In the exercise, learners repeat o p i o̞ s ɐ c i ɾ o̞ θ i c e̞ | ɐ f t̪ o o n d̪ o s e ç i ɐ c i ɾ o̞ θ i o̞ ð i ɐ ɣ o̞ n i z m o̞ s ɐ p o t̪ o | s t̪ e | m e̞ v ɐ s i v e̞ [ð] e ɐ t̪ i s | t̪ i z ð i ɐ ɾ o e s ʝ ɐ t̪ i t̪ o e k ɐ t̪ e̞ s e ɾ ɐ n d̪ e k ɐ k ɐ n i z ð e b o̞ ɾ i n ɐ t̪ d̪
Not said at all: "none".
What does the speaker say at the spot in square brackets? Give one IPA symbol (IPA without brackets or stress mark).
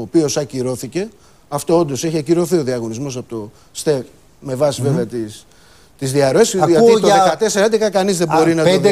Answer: v